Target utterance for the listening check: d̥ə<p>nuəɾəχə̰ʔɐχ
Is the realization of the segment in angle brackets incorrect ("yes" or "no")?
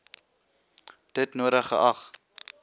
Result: yes